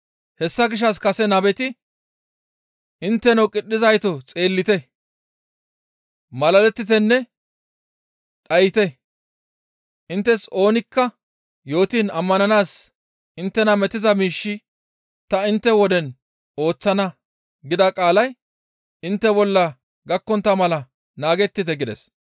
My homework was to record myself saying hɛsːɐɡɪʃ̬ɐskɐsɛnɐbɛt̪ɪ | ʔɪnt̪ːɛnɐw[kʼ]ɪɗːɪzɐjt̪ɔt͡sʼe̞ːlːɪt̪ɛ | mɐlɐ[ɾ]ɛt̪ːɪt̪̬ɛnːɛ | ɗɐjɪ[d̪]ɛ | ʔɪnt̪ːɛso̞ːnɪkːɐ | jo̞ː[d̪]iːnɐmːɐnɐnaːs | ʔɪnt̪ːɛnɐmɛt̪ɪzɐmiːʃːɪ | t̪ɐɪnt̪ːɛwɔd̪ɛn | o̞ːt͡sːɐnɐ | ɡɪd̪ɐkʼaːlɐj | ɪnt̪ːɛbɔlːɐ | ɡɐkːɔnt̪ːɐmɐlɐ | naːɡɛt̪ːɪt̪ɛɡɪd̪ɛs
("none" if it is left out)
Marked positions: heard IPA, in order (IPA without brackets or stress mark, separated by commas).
kʼ, l, t̪, t̪